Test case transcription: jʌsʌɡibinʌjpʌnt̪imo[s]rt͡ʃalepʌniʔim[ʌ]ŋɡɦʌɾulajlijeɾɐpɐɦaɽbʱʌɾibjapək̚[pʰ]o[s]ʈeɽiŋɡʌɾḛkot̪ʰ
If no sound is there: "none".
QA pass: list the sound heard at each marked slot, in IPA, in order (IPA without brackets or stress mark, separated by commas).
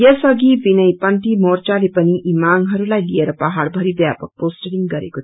none, a, p, s